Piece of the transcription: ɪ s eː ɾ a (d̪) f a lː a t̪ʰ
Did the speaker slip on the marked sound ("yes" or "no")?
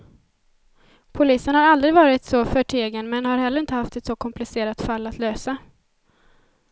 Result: yes